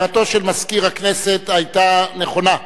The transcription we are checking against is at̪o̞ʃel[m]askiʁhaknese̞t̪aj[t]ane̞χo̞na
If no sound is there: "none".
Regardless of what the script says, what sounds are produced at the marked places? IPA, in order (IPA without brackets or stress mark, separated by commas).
m, t